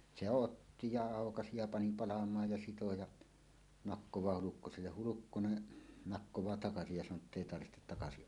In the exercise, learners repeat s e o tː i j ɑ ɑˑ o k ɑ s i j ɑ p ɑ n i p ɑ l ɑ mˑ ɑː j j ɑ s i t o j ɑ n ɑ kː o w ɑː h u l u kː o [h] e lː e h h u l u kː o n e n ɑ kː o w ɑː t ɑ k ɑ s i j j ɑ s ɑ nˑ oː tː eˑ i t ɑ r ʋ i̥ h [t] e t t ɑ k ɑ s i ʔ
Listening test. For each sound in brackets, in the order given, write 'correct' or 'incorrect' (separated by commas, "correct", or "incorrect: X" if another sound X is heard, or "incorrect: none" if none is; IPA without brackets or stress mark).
incorrect: s, correct